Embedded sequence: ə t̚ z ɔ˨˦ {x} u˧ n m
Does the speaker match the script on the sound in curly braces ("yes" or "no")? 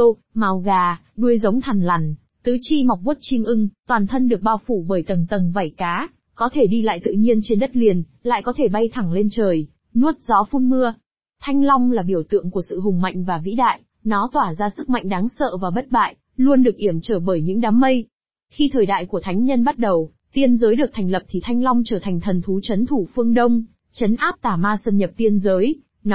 no